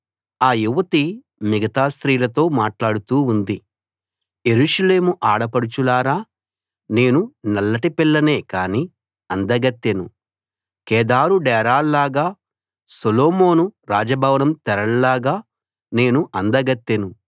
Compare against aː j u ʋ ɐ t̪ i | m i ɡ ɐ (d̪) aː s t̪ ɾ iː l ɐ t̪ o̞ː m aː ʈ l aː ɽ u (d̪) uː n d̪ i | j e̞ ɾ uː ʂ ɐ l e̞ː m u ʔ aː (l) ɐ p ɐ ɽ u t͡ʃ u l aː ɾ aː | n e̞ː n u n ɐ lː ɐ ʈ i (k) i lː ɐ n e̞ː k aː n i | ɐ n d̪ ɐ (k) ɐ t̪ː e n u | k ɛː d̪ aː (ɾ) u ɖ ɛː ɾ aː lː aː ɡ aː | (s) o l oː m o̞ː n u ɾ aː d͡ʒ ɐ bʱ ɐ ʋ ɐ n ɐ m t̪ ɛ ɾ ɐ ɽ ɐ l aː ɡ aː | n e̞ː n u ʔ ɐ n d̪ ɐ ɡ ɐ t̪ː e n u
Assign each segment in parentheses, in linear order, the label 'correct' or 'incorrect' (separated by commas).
incorrect, incorrect, incorrect, incorrect, incorrect, correct, correct